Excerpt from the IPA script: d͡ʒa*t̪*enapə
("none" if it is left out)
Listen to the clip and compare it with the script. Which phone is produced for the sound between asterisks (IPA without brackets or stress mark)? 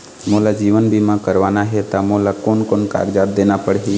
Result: d̪